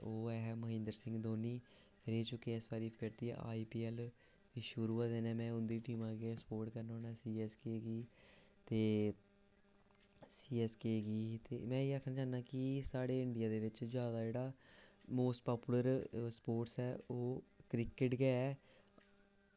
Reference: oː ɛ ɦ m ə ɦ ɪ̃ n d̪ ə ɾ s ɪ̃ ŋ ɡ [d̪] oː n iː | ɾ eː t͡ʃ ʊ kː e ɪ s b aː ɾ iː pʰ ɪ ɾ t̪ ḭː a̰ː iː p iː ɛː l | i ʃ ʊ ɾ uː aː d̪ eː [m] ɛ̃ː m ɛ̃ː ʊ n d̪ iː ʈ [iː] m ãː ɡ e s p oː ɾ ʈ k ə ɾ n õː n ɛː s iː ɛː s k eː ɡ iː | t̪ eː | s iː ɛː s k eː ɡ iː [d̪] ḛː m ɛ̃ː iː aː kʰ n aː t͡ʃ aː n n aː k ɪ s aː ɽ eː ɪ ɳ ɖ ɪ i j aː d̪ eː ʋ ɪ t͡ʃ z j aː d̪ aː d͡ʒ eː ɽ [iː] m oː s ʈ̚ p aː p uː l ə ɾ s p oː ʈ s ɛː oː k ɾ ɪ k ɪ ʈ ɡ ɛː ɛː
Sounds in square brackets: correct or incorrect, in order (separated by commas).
correct, incorrect, correct, incorrect, incorrect